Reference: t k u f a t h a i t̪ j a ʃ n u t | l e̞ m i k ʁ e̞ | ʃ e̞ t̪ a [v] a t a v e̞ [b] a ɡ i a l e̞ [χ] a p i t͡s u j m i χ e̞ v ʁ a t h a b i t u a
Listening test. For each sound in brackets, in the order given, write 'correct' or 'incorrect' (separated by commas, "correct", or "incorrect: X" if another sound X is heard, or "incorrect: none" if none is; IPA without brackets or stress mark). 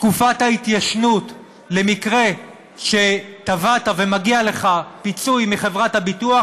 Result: correct, incorrect: m, correct